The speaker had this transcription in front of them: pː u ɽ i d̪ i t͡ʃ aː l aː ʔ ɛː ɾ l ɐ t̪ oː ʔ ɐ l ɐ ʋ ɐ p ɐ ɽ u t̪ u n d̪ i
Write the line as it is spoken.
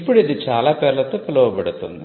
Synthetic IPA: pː u ɽ i d̪ i t͡ʃ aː l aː p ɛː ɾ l ɐ t̪ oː p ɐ l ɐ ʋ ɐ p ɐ ɽ u t̪ u n d̪ i